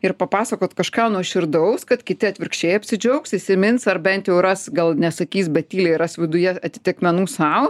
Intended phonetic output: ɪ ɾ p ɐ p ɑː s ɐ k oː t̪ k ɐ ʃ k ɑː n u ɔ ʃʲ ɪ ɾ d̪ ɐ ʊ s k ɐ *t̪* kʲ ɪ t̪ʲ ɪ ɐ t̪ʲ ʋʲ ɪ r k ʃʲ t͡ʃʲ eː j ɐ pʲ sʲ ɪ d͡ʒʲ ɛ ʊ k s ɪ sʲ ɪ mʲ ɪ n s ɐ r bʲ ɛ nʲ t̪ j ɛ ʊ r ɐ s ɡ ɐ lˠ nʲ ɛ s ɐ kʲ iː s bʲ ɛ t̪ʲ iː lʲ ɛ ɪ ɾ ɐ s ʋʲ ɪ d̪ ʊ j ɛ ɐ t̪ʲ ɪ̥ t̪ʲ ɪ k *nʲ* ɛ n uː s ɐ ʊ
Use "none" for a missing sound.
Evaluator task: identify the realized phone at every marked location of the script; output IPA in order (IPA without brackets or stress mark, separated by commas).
t̪, mʲ